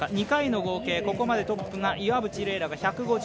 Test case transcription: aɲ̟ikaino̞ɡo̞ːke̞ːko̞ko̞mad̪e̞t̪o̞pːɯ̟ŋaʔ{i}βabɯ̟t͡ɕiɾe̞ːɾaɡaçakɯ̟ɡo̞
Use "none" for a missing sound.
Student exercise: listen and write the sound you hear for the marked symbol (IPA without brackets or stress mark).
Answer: i